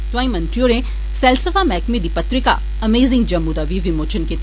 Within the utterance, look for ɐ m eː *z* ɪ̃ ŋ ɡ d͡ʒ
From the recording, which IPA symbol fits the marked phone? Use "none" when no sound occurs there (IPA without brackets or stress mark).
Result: z